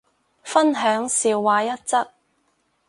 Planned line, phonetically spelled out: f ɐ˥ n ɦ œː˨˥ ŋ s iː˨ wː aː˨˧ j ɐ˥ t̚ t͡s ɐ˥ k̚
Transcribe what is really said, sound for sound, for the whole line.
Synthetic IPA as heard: f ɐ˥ n ɦ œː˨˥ ŋ s iː˨ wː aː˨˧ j ɐ˥ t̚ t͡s ɐ˥ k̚